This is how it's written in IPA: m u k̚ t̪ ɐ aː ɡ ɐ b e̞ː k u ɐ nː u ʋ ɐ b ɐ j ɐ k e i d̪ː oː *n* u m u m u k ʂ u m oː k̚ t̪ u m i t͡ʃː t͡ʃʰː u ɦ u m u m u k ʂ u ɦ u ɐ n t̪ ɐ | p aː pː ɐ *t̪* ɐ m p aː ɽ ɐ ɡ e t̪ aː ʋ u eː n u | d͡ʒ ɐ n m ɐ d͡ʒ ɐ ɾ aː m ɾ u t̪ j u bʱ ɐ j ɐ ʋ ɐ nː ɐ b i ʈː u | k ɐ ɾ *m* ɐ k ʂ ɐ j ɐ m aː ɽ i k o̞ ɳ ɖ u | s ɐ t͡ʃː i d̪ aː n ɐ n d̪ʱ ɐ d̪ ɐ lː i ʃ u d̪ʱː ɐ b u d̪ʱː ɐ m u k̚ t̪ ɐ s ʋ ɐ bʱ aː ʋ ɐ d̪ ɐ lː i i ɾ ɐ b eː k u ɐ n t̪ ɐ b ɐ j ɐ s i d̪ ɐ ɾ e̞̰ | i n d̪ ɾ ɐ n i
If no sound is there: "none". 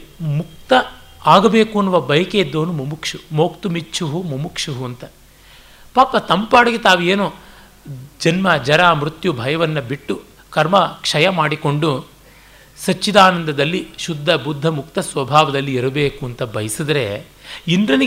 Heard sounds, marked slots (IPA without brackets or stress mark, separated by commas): n, t̪, m